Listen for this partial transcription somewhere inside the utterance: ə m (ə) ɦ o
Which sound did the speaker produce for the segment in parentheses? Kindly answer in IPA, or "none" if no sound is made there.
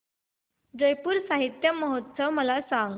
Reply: ə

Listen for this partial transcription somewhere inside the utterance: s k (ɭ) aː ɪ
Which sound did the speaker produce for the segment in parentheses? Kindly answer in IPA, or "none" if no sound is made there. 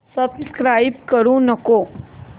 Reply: ɾ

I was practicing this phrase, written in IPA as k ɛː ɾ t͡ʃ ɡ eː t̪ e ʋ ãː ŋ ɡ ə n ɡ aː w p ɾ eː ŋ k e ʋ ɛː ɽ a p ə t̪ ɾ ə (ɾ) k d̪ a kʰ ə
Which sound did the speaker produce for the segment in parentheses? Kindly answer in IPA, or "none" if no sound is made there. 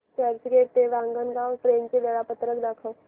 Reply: none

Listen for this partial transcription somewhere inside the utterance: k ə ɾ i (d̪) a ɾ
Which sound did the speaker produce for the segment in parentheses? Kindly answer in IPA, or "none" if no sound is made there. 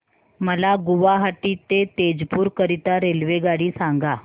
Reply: t̪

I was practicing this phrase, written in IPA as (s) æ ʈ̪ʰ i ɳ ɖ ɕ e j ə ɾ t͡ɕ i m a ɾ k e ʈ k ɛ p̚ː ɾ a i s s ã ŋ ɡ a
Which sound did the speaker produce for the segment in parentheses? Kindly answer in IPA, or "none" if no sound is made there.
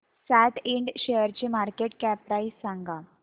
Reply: s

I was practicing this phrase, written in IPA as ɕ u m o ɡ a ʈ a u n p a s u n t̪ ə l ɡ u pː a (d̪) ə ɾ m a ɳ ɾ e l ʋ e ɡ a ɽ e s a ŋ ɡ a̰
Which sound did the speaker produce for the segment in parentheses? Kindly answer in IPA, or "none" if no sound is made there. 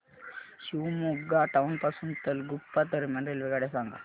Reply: t̪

